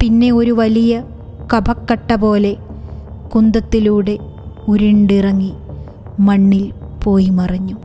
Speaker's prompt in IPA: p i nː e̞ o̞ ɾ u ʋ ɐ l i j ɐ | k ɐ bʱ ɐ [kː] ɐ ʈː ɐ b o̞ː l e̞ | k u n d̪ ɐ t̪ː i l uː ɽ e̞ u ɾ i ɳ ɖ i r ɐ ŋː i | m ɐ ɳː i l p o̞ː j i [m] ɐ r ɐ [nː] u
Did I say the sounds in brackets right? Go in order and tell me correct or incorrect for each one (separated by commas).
correct, correct, incorrect